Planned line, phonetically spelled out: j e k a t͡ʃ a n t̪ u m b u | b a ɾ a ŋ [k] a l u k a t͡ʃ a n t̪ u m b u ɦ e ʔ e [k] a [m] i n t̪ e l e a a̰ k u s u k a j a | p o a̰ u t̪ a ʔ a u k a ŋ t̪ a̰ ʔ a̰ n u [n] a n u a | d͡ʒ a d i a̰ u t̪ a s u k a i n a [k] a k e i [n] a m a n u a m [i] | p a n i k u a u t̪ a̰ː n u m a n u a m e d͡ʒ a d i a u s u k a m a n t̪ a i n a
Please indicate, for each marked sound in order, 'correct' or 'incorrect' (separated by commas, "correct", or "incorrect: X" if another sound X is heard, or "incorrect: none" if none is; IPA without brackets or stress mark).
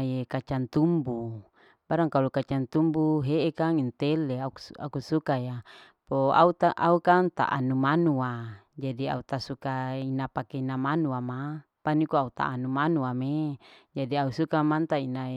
correct, correct, incorrect: ŋ, incorrect: m, incorrect: p, correct, incorrect: a